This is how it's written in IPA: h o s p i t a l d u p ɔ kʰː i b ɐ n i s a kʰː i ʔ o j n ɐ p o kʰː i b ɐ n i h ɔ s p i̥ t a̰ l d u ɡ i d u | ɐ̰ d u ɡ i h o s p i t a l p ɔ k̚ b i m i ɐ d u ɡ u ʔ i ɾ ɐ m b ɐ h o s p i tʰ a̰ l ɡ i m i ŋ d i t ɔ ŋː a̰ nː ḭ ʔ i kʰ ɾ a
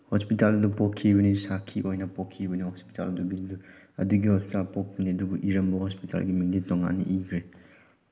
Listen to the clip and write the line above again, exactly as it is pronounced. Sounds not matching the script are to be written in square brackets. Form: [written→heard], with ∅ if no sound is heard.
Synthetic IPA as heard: h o s p i t a l d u p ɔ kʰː i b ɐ n i s a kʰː i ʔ o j n ɐ p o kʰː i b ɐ n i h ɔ s p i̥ t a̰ l d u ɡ i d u | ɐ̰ d u ɡ i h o s p i t a l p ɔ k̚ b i [m→n] i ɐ d u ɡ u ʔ i ɾ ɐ m b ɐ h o s p i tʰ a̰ l ɡ i m i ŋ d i t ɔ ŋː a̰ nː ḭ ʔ i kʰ ɾ [a→e]